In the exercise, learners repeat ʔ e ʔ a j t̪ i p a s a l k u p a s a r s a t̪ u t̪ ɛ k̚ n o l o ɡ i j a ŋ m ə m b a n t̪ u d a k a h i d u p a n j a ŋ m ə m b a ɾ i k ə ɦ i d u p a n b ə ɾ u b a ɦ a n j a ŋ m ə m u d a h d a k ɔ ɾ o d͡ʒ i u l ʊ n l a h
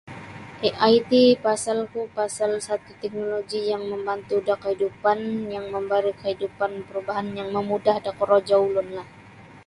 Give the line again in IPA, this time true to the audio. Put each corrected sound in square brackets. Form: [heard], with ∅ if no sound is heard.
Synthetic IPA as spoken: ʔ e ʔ a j t̪ i p a s a l k u p a s a [l] s a t̪ u t̪ ɛ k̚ n o l o ɡ i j a ŋ m ə m b a n t̪ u d a k [ə] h i d u p a n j a ŋ m ə m b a ɾ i k ə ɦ i d u p a n [p] ə ɾ u b a ɦ a n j a ŋ m ə m u d a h d a k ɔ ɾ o d͡ʒ [a] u l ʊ n l a h

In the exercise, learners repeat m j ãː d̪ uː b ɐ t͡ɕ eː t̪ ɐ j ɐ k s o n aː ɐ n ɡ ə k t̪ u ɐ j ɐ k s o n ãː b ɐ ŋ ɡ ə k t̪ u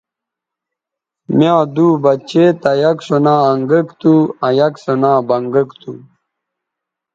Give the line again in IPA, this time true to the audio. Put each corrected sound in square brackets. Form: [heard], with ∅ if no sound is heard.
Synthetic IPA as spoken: m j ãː d̪ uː b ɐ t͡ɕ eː t̪ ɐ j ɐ k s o n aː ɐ [ŋ] ɡ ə k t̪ u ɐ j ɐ k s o n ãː b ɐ ŋ ɡ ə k t̪ u

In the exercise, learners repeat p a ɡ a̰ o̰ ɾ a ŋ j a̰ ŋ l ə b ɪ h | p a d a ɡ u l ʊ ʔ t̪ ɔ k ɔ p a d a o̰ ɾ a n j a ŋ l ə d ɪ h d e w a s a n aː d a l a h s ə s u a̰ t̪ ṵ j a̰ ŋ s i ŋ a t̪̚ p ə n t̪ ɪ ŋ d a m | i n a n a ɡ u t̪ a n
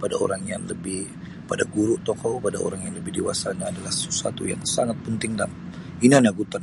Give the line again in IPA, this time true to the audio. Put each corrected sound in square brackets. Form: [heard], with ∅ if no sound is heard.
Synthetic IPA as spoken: p a [d] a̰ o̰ ɾ a ŋ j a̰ ŋ l ə b ɪ h | p a d a ɡ u [ɾ] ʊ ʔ t̪ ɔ k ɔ p a d a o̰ ɾ a [ŋ] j a ŋ l ə [b] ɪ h d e w a s a n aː d a l a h s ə s u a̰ t̪ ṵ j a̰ ŋ s [a] ŋ a t̪̚ p ə n t̪ ɪ ŋ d a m | i n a n a ɡ u t̪ a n

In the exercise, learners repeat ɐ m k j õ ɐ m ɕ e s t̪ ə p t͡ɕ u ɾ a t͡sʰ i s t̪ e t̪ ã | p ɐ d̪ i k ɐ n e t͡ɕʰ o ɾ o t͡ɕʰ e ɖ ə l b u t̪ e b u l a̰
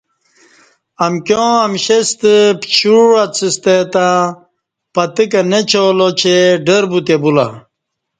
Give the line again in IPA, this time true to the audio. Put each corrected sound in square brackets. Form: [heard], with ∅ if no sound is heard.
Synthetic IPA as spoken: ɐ m k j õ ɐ m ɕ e s t̪ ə p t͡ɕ u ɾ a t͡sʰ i s t̪ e t̪ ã | p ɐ [t̪] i k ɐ n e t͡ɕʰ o [l] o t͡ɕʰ e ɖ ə [ɾ] b u t̪ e b u l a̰

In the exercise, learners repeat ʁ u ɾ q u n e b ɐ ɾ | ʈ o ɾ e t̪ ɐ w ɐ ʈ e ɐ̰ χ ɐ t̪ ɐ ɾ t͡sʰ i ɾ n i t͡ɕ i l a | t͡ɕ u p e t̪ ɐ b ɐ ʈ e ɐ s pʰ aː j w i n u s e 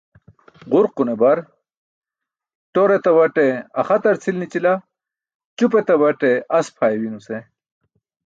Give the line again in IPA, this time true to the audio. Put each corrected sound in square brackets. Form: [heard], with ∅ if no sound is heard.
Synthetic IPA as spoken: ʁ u ɾ q u n e b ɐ ɾ | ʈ o ɾ e t̪ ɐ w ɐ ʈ e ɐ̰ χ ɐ t̪ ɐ ɾ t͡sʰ i [l] n i t͡ɕ i l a | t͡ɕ u p e t̪ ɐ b ɐ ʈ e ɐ s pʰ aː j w i n u s e

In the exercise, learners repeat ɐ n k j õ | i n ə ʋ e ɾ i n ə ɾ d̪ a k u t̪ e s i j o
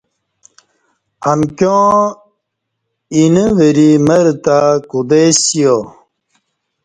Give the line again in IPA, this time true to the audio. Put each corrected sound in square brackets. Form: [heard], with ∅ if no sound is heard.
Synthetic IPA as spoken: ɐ [m] k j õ | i n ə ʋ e ɾ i [m] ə ɾ [t̪] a k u [d̪] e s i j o

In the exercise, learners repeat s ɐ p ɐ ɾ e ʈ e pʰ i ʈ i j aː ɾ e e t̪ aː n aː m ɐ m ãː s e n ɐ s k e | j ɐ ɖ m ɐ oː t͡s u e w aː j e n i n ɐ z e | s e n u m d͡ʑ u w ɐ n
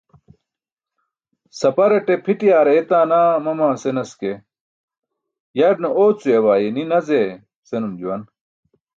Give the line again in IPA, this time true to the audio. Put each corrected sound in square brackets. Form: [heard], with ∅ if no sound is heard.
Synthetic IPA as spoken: s ɐ p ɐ ɾ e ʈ e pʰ i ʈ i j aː ɾ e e t̪ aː n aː m ɐ m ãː s e n ɐ s k e | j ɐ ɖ [n] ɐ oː t͡s u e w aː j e n i n ɐ z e | s e n u m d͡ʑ u w ɐ n

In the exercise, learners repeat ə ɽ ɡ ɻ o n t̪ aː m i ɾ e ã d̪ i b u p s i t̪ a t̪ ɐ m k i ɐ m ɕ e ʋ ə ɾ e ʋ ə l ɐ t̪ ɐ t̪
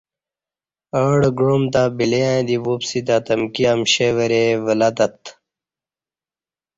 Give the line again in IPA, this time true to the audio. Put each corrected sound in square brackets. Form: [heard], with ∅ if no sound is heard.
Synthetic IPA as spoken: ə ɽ ɡ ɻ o [m] t̪ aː [b] i [l] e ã d̪ i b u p s i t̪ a t̪ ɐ m k i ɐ m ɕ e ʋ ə ɾ e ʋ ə l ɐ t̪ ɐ t̪

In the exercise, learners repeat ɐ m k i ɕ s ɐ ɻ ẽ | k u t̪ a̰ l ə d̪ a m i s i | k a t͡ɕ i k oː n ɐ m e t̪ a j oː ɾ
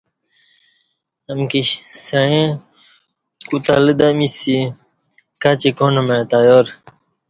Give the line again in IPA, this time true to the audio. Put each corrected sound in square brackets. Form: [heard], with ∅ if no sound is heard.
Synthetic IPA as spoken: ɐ m k i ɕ s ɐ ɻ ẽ | k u t̪ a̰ l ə d̪ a m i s i | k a t͡ɕ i k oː n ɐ m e t̪ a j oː ɾ

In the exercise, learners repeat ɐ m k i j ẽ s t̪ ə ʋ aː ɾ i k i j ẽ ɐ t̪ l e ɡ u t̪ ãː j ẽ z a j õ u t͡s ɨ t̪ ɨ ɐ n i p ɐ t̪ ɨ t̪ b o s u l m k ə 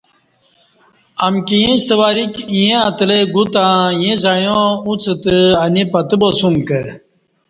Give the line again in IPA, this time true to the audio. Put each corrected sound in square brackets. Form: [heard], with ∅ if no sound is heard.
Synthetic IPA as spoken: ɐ m k i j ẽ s t̪ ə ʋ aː ɾ i k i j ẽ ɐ t̪ l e ɡ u t̪ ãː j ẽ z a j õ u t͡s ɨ t̪ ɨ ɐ n i p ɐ t̪ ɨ [∅] b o s u [∅] m k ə

